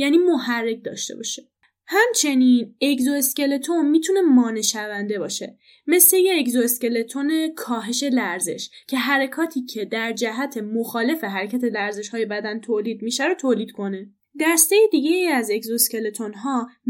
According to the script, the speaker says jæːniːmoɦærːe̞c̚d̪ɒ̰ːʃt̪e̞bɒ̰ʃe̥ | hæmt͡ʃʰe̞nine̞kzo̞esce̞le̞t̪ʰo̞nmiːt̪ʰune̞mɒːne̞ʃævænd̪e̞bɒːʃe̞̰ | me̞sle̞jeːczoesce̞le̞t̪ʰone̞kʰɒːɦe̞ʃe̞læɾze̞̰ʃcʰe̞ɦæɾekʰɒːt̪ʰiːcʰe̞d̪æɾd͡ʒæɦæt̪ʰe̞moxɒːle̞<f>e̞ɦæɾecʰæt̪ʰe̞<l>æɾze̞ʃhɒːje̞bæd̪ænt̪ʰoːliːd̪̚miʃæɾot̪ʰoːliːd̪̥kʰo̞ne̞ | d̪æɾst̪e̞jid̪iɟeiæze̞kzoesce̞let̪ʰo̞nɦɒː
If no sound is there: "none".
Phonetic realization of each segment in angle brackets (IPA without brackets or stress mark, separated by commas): f, l